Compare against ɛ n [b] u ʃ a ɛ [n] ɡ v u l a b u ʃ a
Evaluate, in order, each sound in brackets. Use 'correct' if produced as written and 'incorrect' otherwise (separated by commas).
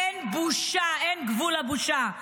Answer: correct, correct